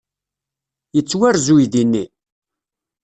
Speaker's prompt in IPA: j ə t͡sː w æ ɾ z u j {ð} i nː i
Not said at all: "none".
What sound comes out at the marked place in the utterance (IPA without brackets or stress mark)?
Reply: ð